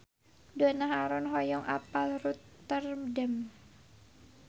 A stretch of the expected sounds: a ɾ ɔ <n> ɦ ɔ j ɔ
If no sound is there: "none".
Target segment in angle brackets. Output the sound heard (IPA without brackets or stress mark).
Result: n